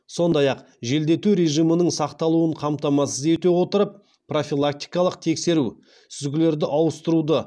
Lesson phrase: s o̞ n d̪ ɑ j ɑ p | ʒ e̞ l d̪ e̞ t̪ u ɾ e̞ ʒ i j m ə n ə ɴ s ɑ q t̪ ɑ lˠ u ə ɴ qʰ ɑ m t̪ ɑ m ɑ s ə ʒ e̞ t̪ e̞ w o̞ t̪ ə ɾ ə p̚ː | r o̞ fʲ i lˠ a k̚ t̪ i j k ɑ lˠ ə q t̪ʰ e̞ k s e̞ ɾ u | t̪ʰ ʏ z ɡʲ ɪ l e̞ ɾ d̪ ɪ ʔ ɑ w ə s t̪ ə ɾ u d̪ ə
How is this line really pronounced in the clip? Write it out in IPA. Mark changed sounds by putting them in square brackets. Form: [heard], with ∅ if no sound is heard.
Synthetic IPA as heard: s o̞ n d̪ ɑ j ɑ [q] | ʒ e̞ l d̪ e̞ t̪ u ɾ e̞ ʒ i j m ə n ə ɴ s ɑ q t̪ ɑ lˠ u ə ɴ qʰ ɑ m t̪ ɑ m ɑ s ə [z] e̞ t̪ e̞ w o̞ t̪ ə ɾ ə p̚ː | r o̞ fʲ i lˠ a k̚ t̪ i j k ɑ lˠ ə q t̪ʰ e̞ k s e̞ ɾ u | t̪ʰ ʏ z ɡʲ ɪ l e̞ ɾ d̪ ɪ ʔ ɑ w ə s t̪ ə ɾ u d̪ ə